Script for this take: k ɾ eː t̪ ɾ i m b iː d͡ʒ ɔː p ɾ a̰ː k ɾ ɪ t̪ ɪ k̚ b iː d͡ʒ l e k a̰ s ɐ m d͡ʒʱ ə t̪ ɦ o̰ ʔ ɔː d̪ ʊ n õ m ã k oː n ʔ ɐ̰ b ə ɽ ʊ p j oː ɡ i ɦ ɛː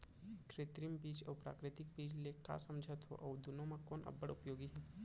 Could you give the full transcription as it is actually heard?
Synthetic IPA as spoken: k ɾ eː t̪ ɾ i m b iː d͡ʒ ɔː p ɾ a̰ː k ɾ ɪ t̪ ɪ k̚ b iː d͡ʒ l e k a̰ s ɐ m d͡ʒʱ ə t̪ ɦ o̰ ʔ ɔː d̪ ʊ n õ m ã k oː n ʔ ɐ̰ b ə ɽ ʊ p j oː ɡ i ɦ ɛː